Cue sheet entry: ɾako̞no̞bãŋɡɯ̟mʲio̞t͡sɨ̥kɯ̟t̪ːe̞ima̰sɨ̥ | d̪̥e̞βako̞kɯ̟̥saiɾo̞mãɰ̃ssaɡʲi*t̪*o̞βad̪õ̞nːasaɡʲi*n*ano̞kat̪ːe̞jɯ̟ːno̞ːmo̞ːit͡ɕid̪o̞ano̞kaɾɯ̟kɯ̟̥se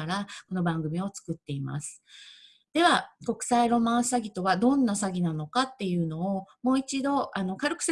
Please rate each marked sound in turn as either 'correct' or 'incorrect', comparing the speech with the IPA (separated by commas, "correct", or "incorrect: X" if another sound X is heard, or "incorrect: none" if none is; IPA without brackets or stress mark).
correct, correct